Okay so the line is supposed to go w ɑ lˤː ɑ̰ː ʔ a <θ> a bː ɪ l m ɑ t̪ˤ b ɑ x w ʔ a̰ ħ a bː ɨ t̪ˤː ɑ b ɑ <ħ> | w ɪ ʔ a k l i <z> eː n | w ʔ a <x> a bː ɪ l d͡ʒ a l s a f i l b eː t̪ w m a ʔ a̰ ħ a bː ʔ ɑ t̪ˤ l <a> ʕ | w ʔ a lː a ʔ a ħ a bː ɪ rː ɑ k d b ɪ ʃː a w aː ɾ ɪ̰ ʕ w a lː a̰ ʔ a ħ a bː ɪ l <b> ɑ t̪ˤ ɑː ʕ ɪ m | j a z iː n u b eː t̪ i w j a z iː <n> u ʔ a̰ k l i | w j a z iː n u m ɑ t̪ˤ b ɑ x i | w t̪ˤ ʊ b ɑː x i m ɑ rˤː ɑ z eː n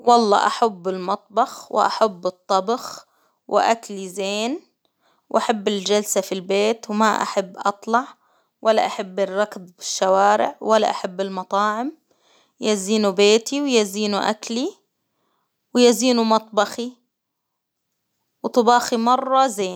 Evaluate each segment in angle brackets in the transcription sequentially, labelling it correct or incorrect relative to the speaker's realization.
incorrect: ħ, incorrect: x, correct, incorrect: ħ, incorrect: ɑ, incorrect: m, correct

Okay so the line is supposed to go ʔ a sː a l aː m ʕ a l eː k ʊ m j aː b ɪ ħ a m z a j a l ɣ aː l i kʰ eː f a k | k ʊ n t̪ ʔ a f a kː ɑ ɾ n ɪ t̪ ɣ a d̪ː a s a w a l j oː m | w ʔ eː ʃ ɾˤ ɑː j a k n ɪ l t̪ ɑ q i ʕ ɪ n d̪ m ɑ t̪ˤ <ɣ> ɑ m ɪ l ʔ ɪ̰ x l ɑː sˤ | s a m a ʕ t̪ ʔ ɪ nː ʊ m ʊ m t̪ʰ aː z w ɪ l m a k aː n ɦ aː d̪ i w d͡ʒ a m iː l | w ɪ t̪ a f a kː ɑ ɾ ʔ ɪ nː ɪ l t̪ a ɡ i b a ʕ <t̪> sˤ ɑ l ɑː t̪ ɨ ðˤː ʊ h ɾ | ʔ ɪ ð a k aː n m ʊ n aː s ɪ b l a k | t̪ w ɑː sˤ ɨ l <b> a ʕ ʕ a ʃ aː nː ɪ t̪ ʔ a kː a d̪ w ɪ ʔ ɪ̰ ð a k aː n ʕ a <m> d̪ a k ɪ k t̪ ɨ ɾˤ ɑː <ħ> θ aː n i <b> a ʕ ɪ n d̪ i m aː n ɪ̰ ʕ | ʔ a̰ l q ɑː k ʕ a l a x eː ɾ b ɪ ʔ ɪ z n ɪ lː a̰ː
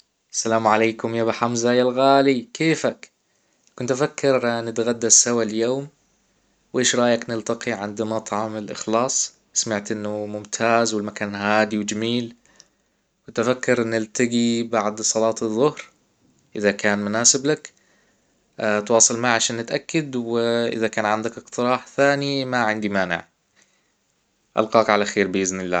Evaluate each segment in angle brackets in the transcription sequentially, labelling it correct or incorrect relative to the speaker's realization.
incorrect: ʕ, incorrect: d̪, incorrect: m, incorrect: n, correct, incorrect: m

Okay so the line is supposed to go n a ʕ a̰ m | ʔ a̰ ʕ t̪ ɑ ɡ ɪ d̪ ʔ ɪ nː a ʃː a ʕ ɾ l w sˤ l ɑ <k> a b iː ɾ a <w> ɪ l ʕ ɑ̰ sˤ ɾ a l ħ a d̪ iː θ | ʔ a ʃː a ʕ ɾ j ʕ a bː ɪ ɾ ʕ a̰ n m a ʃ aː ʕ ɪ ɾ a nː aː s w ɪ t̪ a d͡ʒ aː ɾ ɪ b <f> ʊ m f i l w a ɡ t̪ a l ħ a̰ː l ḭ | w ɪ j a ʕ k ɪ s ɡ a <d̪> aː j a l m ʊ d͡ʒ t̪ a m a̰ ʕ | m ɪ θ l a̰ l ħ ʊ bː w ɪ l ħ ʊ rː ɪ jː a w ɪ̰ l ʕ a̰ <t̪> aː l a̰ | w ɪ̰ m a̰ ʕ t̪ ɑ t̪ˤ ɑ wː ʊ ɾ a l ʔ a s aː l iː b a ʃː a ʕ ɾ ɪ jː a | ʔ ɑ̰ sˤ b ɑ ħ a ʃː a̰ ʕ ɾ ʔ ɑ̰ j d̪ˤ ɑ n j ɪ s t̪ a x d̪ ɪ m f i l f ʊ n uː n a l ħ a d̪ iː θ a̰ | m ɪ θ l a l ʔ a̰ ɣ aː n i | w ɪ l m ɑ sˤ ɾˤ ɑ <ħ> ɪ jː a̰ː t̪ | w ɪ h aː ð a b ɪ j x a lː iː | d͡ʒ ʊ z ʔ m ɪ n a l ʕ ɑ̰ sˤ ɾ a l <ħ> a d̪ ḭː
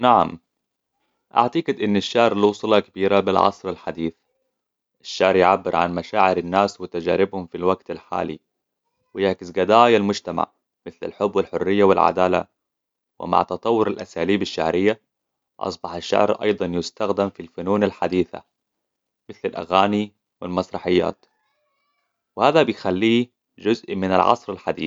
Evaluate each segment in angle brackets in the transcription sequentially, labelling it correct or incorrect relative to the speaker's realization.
correct, incorrect: b, incorrect: h, correct, incorrect: d̪, correct, correct

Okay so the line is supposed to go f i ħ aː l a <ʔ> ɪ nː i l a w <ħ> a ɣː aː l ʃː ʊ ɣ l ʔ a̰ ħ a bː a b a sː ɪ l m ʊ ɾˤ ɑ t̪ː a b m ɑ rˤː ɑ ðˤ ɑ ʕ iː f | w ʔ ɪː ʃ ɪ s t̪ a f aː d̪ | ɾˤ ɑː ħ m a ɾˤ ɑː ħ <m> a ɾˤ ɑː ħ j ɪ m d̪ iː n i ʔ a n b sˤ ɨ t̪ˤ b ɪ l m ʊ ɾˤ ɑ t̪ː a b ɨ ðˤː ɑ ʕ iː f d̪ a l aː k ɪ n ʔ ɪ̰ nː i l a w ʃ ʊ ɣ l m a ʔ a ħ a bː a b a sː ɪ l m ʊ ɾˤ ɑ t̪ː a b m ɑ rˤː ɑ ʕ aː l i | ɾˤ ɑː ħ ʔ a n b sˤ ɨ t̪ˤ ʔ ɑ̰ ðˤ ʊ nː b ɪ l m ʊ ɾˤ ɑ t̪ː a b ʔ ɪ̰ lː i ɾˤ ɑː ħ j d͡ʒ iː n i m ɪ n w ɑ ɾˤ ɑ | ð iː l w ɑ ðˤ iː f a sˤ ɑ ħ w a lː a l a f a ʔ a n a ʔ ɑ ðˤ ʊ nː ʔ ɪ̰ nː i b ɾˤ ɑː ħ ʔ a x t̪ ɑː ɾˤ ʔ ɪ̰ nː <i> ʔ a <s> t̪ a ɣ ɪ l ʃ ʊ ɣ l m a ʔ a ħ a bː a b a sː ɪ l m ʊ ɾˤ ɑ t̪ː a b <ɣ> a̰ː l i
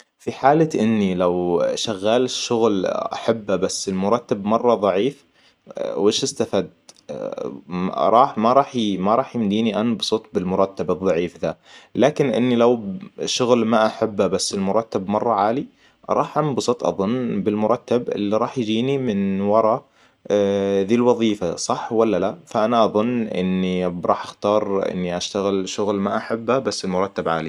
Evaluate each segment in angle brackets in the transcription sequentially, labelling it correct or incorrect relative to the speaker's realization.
correct, incorrect: ʃ, correct, correct, incorrect: ʃ, incorrect: ʕ

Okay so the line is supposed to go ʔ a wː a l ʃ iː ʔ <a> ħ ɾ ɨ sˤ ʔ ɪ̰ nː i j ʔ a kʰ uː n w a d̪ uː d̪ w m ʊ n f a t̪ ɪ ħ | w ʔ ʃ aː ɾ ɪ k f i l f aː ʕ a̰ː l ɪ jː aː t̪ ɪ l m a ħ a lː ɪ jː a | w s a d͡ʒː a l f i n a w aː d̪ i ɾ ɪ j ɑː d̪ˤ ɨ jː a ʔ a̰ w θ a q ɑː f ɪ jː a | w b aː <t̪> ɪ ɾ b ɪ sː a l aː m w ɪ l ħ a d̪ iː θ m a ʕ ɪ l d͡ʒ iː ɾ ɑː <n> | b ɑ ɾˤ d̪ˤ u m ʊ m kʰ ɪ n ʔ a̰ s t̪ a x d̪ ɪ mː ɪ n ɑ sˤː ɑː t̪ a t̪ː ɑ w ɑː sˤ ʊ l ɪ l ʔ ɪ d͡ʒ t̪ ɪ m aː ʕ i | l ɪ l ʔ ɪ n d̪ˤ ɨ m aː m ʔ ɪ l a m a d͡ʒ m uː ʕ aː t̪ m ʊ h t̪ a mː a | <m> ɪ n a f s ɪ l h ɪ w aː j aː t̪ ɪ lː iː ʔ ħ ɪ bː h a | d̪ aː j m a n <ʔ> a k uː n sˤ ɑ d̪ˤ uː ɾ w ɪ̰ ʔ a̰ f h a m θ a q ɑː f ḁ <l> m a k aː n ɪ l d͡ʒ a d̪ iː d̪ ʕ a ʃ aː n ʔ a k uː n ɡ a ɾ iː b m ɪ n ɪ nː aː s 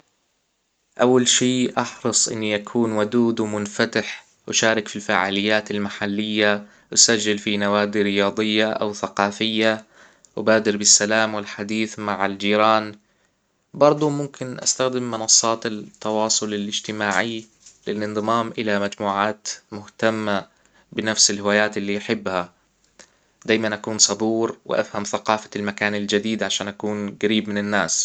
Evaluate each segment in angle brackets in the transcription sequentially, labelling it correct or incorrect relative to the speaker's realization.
incorrect: ɑ, incorrect: d̪, correct, incorrect: b, correct, correct

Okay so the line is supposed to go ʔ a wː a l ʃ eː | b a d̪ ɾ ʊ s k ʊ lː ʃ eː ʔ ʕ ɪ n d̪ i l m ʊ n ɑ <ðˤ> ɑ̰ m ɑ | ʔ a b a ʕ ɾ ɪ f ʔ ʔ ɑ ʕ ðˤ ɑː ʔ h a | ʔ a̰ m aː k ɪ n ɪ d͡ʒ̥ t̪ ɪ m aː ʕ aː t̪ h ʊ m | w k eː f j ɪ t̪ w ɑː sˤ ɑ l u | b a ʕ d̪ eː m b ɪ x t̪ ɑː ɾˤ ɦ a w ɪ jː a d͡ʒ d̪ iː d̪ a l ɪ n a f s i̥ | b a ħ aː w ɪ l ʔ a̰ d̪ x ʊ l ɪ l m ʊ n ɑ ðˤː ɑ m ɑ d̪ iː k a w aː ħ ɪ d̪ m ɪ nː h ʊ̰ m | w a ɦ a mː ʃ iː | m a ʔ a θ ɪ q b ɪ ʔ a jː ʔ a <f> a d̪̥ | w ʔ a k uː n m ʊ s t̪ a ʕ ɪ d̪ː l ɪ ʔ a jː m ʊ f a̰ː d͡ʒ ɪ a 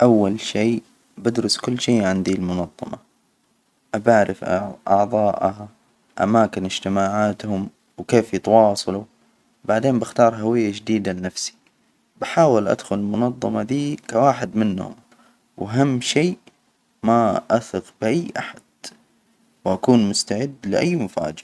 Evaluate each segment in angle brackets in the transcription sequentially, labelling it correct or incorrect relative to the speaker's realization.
incorrect: ðˤː, incorrect: ħ

